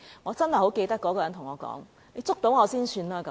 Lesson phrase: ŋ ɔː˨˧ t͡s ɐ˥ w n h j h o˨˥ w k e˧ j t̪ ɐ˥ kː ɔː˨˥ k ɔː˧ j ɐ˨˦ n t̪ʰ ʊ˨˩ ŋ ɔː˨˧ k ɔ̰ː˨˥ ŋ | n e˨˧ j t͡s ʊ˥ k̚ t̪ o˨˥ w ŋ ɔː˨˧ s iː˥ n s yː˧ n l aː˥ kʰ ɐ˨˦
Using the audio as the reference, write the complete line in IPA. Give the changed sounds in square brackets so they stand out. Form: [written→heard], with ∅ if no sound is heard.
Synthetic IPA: ŋ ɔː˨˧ t͡s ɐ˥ [w→∅] n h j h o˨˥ w k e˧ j t̪ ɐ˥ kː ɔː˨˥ k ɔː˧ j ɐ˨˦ n t̪ʰ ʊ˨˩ ŋ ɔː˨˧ k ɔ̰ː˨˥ ŋ | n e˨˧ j t͡s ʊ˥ k̚ t̪ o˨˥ w ŋ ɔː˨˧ s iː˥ n s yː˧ n l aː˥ [kʰ→k] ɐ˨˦

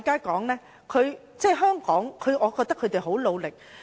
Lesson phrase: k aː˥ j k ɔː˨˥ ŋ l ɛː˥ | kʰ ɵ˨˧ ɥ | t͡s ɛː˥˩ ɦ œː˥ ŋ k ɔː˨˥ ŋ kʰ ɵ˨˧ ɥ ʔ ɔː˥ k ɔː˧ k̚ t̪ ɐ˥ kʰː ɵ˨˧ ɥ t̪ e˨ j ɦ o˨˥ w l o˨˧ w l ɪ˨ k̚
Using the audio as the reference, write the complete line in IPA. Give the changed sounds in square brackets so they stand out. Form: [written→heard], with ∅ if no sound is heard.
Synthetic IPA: k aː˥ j k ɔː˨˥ ŋ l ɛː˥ | kʰ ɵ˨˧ ɥ | t͡s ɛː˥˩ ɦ œː˥ ŋ k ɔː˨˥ ŋ kʰ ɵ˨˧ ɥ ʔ [ɔː˥→ɔː˨˧] k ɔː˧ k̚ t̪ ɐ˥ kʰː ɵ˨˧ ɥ t̪ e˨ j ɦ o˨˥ w l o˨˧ w l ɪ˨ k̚

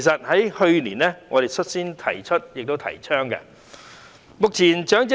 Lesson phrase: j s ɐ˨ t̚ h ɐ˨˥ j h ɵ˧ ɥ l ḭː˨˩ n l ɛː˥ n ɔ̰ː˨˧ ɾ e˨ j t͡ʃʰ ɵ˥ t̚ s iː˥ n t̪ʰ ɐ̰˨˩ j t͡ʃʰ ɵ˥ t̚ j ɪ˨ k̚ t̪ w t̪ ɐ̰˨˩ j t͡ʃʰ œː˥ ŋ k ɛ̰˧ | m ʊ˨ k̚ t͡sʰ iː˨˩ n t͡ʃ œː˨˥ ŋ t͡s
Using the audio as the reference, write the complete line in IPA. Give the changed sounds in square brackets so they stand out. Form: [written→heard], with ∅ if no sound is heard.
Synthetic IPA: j s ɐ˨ t̚ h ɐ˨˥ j h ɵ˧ ɥ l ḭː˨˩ n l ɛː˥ [n→ŋ] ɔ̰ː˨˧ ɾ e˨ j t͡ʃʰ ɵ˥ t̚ s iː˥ n t̪ʰ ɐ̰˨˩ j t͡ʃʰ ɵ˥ t̚ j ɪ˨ k̚ t̪ w [t̪→t̪ʰ] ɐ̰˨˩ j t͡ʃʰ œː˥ ŋ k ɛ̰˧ | m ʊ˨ k̚ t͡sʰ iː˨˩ n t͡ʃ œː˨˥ ŋ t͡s

